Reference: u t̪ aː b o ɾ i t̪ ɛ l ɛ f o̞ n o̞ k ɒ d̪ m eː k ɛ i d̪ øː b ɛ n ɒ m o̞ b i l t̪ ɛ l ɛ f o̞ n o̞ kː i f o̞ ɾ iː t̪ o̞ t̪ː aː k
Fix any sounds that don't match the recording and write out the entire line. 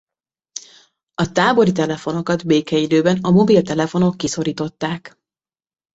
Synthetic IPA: ɒ t̪ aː b o ɾ i t̪ ɛ l ɛ f o̞ n o̞ k ɒ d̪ b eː k ɛ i d̪ øː b ɛ n ɒ m o̞ b i l t̪ ɛ l ɛ f o̞ n o̞ kː i s o̞ ɾ iː t̪ o̞ t̪ː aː k